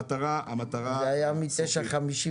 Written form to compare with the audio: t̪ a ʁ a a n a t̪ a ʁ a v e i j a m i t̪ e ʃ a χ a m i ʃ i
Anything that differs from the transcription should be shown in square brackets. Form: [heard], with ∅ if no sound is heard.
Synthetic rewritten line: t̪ a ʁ a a [m] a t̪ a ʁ a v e [a] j a m i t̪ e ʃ a χ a m i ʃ i